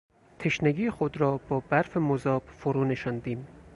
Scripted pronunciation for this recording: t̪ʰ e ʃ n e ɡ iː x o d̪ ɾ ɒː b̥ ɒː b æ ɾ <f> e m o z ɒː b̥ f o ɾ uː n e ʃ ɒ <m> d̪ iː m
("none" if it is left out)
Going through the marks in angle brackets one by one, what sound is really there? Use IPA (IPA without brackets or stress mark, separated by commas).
f, n